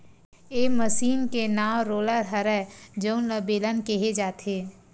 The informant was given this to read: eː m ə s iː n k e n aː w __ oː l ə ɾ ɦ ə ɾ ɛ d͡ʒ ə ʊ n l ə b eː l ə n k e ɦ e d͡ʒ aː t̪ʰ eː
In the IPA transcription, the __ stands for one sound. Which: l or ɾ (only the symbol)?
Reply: ɾ